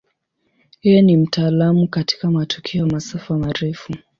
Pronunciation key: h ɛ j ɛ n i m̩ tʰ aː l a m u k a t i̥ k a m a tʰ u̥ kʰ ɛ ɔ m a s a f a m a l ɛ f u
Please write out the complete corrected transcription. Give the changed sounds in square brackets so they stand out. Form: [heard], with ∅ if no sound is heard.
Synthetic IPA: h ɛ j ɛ n i m̩ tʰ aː l a m u k a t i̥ k a m a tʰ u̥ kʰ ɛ ɔ m a s a f a m a [ɾ] ɛ f u

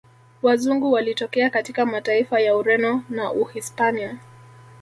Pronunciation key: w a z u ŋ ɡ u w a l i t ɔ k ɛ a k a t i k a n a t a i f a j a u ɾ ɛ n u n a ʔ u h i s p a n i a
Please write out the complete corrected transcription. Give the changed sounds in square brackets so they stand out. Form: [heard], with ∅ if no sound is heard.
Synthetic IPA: w a z u ŋ ɡ u w a l i t ɔ k ɛ a k a t i k a [m] a t a i f a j a u ɾ ɛ n [ɔ] n a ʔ u h i s p a n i a

